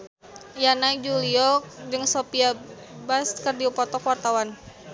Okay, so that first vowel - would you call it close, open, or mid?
open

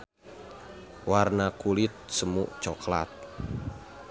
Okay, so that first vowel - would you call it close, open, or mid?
open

